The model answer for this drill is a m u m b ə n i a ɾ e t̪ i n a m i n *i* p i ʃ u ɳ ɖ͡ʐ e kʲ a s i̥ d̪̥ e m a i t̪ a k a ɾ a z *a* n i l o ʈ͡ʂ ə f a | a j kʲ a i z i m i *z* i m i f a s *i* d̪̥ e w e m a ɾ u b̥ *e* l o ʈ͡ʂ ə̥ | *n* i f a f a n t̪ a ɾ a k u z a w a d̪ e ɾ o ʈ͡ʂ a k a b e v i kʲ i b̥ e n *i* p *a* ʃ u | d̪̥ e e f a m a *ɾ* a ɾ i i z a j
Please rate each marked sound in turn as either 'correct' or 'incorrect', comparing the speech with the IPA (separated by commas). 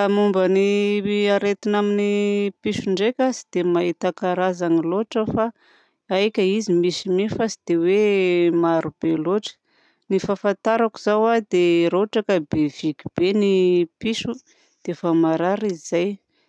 correct, correct, incorrect, correct, correct, correct, correct, incorrect, correct